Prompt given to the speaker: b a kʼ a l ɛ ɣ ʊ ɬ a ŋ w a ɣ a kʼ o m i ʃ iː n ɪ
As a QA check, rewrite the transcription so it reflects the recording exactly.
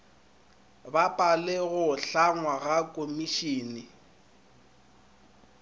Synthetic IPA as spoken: b a pʼ a l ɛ ɣ ʊ ɬ a ŋ w a ɣ a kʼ o m i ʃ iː n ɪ